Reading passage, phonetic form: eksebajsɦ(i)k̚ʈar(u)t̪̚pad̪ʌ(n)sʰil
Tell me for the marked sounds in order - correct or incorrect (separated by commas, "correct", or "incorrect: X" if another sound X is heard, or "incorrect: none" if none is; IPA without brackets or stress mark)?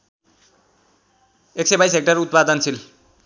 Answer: incorrect: e, correct, correct